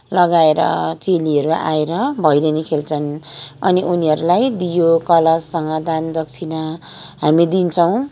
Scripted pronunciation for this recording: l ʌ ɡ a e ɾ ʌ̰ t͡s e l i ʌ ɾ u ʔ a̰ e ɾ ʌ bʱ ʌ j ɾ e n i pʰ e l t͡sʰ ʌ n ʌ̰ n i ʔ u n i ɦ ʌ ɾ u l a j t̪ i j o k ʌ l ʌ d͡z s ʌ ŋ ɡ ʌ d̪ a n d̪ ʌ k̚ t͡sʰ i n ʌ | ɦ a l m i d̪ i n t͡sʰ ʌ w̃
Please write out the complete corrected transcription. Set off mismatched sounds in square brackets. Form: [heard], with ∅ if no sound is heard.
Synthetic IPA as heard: l ʌ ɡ a e ɾ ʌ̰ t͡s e l i ʌ ɾ u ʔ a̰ e ɾ ʌ bʱ ʌ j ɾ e n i [kʰ] e l t͡sʰ ʌ n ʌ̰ n i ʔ u n i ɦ ʌ ɾ u l a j [d̪] i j o k ʌ l ʌ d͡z s ʌ ŋ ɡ ʌ d̪ a n d̪ ʌ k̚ t͡sʰ i n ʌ | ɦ a [∅] m i d̪ i n t͡sʰ ʌ w̃